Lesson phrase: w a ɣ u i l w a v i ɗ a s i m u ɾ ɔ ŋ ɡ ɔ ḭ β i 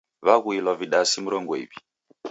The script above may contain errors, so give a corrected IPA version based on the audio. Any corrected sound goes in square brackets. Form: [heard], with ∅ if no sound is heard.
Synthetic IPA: [β] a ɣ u i l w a v i ɗ a s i m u ɾ ɔ ŋ ɡ ɔ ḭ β i